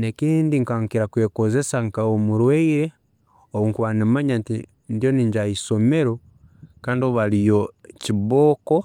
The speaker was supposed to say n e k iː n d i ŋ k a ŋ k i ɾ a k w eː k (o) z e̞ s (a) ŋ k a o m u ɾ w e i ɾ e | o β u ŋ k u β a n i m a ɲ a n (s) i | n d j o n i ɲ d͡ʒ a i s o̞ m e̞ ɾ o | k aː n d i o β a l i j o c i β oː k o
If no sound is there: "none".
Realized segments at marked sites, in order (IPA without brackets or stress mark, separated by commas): o, a, t